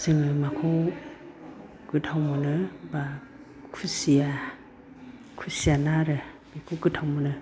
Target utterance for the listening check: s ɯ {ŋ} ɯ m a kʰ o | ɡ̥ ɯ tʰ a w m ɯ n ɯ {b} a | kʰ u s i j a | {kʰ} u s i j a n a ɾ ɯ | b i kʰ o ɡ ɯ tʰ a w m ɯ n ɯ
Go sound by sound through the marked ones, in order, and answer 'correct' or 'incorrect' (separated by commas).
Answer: correct, correct, correct